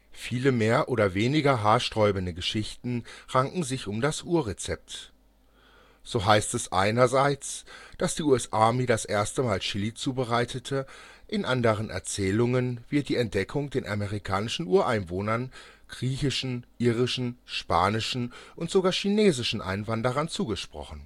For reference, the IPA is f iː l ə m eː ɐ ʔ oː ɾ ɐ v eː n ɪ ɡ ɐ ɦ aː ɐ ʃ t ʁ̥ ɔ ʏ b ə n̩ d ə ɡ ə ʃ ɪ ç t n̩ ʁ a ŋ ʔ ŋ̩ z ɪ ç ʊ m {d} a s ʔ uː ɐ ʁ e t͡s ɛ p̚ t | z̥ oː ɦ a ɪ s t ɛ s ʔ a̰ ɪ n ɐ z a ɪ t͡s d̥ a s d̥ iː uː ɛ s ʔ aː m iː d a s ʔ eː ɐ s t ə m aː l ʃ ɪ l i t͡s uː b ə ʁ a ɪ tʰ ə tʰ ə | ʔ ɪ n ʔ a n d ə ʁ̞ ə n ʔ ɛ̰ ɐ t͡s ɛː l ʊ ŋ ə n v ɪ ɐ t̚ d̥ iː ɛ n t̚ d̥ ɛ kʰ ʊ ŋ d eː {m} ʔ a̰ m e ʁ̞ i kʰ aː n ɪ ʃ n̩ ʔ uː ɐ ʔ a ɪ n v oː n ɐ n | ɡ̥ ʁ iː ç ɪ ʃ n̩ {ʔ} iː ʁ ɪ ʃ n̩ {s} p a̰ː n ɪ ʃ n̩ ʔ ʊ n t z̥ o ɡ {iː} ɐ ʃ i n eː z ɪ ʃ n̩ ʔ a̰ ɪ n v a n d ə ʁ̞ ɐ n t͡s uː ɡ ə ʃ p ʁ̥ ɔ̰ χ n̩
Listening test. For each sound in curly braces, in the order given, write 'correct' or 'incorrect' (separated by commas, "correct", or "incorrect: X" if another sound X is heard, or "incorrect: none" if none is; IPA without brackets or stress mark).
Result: correct, incorrect: n, correct, incorrect: ʃ, incorrect: aː